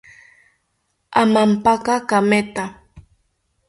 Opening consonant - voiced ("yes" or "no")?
yes